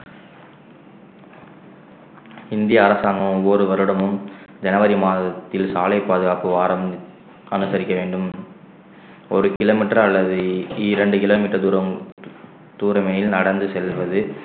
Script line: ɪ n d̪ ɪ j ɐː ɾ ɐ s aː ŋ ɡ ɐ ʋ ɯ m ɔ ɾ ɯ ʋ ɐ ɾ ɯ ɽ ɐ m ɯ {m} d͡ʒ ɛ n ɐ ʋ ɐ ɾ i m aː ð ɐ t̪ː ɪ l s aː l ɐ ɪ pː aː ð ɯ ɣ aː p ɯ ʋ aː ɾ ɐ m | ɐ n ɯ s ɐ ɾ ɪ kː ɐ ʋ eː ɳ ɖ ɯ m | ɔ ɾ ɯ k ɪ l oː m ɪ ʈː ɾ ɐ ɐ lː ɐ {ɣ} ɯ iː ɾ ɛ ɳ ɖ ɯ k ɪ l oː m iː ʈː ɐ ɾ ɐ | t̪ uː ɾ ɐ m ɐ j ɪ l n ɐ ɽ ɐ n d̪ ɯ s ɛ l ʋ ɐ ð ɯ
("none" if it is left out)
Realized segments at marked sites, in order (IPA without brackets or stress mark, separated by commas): m, ð